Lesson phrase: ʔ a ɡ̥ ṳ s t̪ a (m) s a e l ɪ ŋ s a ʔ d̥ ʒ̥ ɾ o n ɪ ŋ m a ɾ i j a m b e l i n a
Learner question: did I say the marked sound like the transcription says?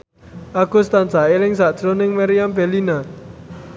no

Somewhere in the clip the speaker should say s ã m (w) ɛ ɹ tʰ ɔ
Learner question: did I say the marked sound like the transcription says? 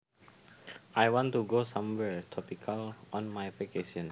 yes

